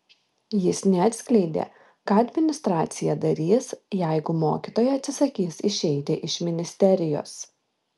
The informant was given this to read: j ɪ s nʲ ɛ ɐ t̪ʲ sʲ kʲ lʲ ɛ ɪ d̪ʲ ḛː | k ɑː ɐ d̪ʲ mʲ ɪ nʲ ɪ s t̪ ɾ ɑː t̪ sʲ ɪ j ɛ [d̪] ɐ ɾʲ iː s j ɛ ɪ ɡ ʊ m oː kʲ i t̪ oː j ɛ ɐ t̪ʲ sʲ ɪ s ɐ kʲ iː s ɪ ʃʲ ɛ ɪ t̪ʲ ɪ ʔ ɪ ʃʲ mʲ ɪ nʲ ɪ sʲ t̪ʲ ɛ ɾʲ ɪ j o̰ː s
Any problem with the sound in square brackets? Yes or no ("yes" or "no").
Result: no